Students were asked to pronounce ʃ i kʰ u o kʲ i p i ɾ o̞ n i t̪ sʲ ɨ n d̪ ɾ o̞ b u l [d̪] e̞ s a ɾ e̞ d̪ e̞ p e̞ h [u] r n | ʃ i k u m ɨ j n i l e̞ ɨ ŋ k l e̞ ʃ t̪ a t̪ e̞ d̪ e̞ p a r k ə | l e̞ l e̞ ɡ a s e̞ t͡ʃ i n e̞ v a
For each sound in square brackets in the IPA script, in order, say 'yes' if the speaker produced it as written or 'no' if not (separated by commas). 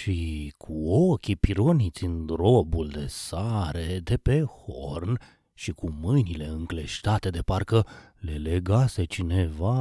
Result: yes, no